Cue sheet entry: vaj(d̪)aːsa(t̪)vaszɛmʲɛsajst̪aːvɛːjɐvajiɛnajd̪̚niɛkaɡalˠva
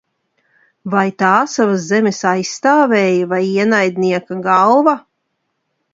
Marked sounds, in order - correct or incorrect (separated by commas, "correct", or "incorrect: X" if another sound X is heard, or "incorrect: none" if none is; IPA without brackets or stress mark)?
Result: incorrect: t̪, incorrect: none